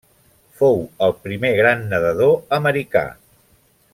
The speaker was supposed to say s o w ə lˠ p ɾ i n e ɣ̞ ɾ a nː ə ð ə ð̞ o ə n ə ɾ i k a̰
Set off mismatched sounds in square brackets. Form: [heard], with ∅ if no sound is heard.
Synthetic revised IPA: [f] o w ə lˠ p ɾ i [m] e ɣ̞ ɾ a nː ə ð ə ð̞ o ə [m] ə ɾ i k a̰